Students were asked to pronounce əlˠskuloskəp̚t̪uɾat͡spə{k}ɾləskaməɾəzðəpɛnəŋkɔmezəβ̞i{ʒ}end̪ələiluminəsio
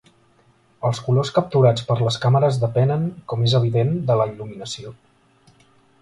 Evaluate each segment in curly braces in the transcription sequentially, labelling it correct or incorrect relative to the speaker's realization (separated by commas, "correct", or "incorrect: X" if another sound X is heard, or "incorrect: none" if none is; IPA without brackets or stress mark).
incorrect: none, incorrect: ð